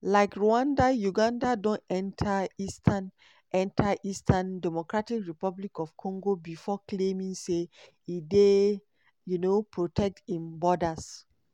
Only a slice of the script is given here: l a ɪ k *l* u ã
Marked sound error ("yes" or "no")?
yes